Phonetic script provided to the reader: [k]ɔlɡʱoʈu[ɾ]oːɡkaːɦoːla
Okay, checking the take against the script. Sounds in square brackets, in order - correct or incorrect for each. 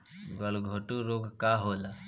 incorrect: ɡ, correct

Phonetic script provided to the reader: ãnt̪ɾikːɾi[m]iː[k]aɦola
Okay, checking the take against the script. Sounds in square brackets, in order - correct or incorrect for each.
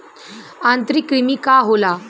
correct, correct

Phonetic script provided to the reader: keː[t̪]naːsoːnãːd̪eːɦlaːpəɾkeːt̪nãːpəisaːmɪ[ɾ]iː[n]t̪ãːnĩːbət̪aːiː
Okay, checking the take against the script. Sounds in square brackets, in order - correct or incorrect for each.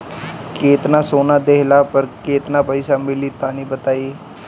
correct, incorrect: l, incorrect: none

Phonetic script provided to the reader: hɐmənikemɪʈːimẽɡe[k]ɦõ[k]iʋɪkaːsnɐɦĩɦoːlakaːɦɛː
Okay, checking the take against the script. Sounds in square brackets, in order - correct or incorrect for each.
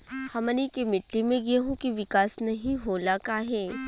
incorrect: none, correct

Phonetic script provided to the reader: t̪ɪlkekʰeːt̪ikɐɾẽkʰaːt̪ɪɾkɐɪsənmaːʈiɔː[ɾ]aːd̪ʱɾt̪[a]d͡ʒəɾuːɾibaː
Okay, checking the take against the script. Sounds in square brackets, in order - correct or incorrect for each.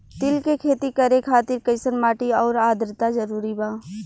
correct, correct

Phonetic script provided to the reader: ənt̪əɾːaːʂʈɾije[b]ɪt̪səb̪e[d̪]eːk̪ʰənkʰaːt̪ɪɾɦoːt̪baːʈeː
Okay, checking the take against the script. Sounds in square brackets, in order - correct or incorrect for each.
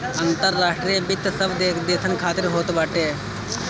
correct, correct

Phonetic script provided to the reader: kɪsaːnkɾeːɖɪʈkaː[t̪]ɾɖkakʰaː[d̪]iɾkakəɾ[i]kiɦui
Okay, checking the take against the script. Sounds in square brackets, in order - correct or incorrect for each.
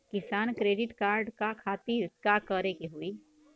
incorrect: none, incorrect: t̪, incorrect: e

